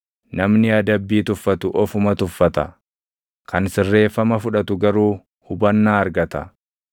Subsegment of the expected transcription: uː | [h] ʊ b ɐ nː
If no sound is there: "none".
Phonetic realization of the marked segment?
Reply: h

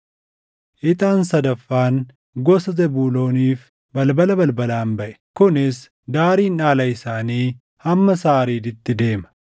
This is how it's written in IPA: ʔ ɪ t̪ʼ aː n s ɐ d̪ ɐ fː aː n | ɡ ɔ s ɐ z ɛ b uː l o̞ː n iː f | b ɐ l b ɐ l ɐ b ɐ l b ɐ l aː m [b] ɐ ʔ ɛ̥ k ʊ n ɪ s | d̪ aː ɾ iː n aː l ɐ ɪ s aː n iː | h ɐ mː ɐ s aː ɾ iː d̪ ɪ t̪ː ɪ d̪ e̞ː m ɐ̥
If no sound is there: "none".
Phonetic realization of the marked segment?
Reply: b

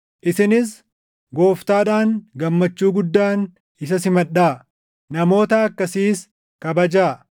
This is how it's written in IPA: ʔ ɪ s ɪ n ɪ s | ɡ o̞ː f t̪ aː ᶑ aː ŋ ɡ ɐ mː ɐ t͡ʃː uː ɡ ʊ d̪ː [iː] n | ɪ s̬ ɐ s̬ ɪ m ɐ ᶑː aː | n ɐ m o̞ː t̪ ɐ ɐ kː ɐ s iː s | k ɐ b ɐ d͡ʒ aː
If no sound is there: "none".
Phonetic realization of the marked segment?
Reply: aː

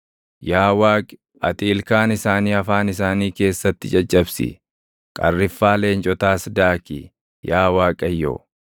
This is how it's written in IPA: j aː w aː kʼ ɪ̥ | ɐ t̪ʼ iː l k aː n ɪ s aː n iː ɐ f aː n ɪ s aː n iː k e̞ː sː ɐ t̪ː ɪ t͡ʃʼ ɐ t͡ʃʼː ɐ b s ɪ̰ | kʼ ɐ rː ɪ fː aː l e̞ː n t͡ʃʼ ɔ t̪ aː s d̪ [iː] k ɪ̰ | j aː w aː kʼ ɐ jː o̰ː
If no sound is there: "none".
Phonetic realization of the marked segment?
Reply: aː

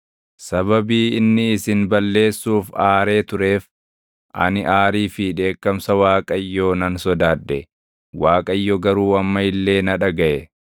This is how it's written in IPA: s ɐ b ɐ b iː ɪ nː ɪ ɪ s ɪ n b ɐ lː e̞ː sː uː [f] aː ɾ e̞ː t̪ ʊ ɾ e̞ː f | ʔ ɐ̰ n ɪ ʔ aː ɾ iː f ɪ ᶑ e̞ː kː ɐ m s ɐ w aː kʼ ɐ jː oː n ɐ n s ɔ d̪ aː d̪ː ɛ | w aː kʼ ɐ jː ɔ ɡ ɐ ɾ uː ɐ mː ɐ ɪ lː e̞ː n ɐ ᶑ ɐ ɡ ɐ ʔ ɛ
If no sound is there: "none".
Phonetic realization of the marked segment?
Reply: f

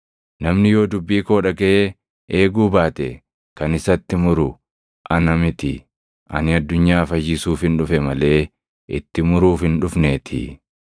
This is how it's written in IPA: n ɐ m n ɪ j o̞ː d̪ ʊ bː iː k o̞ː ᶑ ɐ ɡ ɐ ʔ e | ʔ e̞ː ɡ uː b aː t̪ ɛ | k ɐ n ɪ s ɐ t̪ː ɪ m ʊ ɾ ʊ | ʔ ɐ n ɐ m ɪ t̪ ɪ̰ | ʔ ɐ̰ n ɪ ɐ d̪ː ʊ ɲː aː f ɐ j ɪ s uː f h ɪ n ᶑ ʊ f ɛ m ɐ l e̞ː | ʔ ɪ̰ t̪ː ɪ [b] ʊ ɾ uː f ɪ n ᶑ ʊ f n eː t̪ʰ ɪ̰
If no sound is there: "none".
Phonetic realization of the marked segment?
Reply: m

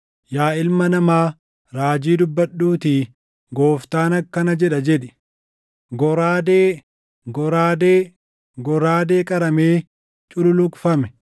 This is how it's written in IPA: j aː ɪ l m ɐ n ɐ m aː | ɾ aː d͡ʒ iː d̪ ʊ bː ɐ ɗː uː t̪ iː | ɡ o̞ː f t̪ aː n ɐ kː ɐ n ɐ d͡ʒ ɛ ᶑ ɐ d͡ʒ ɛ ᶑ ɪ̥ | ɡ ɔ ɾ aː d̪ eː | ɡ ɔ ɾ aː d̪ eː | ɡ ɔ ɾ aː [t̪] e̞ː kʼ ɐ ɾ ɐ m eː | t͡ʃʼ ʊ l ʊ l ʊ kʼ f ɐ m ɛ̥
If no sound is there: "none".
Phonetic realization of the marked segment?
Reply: d̪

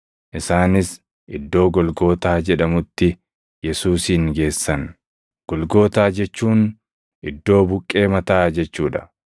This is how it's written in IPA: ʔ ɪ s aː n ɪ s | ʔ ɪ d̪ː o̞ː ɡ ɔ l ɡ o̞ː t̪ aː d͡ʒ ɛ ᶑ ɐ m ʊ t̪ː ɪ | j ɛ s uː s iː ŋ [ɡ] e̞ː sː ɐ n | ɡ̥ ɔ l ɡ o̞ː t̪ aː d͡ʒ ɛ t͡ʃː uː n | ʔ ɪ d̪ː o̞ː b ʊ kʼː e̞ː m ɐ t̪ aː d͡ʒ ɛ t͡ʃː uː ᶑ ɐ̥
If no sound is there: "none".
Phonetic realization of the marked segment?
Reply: ɡ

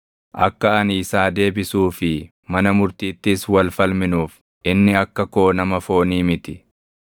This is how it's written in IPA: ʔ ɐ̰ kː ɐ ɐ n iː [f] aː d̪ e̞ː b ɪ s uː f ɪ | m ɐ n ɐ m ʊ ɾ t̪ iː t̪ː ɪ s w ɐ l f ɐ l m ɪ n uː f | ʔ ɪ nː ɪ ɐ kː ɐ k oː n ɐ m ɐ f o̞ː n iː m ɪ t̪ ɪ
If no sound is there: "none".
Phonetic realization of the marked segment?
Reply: s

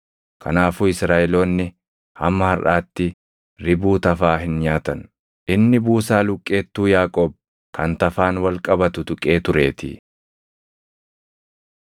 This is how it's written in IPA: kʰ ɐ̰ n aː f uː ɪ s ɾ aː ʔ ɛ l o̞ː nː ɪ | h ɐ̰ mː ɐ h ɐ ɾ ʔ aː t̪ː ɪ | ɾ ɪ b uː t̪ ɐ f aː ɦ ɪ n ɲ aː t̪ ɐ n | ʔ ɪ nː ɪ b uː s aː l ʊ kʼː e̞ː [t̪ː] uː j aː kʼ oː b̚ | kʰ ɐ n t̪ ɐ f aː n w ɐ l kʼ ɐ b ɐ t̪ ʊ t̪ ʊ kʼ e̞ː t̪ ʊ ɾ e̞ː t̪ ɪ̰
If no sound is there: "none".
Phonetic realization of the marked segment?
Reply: t̪ː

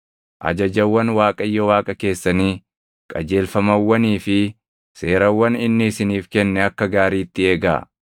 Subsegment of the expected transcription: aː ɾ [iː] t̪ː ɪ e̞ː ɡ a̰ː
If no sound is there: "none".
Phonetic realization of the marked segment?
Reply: iː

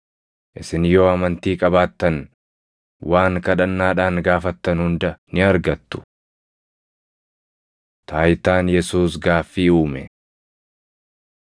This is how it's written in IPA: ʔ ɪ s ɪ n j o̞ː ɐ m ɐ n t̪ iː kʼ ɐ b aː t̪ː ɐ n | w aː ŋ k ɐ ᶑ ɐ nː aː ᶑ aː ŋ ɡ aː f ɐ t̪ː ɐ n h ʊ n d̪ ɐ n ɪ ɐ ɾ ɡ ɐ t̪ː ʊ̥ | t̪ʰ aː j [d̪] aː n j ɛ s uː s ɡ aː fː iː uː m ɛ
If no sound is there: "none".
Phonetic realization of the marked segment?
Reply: t̪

